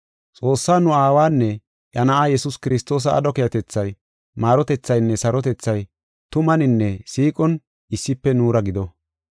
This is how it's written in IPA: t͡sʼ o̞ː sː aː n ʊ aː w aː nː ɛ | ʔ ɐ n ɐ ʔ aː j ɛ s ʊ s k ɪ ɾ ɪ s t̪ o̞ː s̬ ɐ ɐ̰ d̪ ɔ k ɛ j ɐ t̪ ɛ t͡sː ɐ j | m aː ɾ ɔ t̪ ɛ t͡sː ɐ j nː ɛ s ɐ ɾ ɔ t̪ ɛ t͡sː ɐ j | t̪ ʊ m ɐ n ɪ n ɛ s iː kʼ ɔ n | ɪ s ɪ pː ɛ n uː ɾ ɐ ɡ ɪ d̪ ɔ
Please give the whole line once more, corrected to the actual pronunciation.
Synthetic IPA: t͡sʼ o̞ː sː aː n ʊ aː w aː nː ɛ | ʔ ɐ n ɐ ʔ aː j ɛ s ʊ s k ɪ ɾ ɪ s t̪ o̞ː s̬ ɐ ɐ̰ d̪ ɔ k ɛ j ɐ t̪ ɛ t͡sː ɐ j | m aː ɾ ɔ t̪ ɛ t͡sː ɐ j nː ɛ s ɐ ɾ ɔ t̪ ɛ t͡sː ɐ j | t̪ ʊ m ɐ n ɪ nː ɛ s iː kʼ ɔ n | ɪ sː ɪ pː ɛ n uː ɾ ɐ ɡ ɪ d̪ ɔ